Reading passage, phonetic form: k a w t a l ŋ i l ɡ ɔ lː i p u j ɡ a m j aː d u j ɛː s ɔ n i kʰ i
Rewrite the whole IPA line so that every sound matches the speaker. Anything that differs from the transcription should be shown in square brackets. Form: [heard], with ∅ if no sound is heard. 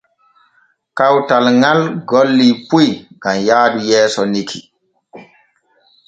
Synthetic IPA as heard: k a w t a l ŋ [a] l ɡ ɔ lː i p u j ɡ a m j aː d u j ɛː s ɔ n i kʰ i